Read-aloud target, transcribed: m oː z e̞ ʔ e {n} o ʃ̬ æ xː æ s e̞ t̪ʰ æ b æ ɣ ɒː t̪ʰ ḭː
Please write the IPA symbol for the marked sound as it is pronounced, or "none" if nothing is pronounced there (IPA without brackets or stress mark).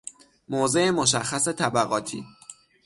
m